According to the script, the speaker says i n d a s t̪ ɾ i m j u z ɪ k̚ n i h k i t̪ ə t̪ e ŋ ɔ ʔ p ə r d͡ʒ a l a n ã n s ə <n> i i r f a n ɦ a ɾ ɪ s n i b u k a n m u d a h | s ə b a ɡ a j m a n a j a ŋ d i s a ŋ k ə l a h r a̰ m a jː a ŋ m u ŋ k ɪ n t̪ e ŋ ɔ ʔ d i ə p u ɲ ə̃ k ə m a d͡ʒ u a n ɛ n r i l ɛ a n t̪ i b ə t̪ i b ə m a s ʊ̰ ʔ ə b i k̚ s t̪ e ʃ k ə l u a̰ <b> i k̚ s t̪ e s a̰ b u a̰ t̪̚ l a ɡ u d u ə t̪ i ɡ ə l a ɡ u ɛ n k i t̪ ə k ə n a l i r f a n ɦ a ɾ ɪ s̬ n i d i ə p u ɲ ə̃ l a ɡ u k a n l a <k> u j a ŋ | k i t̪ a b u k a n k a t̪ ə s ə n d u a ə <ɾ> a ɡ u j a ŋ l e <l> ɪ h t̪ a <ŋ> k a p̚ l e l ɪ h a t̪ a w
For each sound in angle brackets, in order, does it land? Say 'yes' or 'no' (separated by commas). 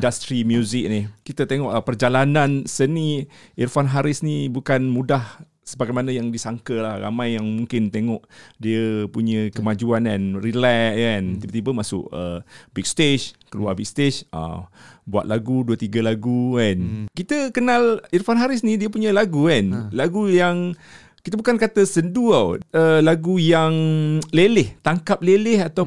yes, yes, no, no, yes, yes